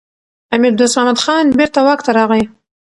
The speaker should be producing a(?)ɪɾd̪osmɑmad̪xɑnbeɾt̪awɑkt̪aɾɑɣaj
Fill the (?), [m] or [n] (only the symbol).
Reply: m